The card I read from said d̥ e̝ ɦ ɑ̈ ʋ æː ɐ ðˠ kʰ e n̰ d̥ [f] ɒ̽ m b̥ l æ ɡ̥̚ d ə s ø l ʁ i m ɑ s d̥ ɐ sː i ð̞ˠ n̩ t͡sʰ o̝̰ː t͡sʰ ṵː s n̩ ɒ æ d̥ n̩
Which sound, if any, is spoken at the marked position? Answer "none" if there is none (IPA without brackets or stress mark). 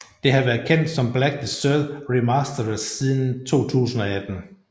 s